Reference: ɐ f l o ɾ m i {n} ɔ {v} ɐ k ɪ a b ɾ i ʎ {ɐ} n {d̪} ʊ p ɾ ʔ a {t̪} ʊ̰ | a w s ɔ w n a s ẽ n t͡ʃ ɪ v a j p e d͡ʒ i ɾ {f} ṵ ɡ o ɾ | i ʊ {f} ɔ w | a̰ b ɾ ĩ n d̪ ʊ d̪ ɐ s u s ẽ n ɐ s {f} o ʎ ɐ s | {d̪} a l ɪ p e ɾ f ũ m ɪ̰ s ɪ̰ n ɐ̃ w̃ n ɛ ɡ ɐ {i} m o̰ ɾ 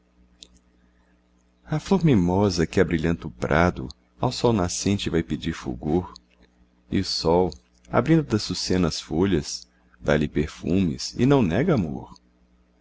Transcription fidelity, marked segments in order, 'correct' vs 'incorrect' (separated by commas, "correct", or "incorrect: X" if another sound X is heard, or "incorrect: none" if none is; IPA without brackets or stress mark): incorrect: m, incorrect: z, incorrect: ɐ̃, incorrect: t̪, incorrect: d̪, correct, incorrect: s, correct, correct, incorrect: a